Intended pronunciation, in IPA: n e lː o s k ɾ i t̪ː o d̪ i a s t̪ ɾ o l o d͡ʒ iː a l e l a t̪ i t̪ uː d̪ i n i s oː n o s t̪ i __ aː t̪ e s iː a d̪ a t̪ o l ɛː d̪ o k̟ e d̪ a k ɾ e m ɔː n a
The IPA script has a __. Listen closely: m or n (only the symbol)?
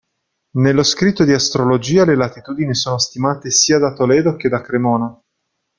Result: m